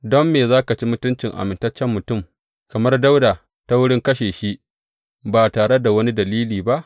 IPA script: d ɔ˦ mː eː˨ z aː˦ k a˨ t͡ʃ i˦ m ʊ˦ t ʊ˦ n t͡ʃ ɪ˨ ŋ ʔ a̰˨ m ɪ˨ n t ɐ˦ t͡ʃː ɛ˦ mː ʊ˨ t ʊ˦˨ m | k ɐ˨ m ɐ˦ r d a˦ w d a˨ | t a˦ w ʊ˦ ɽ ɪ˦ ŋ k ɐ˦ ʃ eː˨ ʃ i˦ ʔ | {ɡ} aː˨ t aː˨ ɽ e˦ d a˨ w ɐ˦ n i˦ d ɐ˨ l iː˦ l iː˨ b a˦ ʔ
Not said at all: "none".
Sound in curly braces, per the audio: b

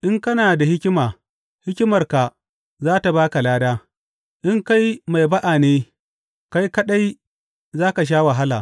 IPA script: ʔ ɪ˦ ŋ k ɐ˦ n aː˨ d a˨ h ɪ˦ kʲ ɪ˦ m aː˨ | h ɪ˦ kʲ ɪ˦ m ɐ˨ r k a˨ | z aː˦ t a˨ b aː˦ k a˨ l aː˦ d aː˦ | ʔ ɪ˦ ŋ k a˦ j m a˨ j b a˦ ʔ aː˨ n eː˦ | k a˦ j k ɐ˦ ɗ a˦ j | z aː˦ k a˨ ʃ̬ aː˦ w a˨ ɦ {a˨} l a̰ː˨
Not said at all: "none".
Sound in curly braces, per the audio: a˦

